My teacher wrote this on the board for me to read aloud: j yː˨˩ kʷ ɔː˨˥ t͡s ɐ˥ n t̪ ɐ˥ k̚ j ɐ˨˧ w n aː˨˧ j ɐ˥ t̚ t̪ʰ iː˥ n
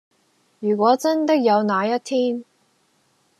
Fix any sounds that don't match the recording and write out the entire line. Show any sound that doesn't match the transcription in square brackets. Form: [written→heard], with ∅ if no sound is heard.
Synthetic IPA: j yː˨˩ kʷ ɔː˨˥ t͡s ɐ˥ n t̪ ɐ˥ k̚ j ɐ˨˧ w n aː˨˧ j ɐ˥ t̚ t̪ʰ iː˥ n